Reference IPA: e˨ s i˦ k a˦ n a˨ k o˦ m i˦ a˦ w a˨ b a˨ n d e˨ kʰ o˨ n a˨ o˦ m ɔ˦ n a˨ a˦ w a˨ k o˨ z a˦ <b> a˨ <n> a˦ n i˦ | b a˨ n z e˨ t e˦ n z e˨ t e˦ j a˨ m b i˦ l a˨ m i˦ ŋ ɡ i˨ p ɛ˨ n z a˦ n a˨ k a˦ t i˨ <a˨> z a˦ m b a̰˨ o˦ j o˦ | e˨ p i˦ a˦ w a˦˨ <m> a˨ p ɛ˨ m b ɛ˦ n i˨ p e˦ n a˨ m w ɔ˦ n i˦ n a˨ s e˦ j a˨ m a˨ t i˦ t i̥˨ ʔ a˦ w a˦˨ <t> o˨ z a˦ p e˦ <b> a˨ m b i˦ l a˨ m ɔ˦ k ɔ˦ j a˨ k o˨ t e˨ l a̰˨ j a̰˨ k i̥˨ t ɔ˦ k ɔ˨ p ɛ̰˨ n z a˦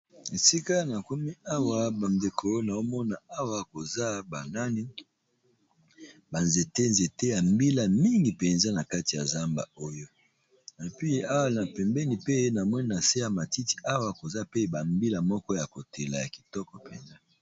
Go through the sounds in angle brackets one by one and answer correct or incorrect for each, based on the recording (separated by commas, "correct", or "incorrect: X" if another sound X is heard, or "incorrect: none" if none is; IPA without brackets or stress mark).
correct, correct, correct, incorrect: n, incorrect: k, correct